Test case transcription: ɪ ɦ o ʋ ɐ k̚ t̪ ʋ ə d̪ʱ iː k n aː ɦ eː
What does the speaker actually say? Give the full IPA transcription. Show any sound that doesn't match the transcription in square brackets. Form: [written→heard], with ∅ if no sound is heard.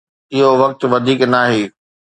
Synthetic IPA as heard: ɪ ɦ o ʋ ɐ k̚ t̪ ʋ [ə→ɐ] d̪ʱ iː k n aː ɦ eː